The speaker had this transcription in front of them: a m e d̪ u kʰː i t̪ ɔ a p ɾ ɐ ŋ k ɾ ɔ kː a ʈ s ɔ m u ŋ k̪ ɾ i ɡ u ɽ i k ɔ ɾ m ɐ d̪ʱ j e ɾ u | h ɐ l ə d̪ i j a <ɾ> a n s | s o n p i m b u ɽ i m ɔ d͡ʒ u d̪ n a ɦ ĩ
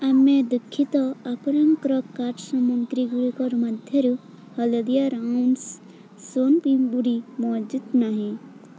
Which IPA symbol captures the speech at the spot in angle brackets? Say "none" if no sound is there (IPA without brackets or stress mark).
ɾ